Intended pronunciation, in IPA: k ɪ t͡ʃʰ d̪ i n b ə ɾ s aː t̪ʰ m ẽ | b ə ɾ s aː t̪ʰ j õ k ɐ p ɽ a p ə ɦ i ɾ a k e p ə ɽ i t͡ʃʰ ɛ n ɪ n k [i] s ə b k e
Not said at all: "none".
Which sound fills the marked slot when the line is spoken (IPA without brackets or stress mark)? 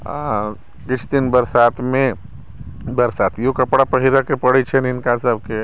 a